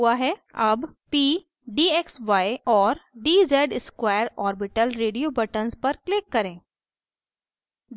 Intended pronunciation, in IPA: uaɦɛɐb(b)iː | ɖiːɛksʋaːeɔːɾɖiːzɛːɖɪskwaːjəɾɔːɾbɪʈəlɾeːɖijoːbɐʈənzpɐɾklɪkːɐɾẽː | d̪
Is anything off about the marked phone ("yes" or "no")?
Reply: yes